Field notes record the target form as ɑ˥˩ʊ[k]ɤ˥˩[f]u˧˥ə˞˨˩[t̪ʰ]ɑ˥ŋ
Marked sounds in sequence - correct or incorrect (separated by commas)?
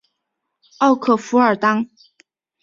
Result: incorrect, correct, incorrect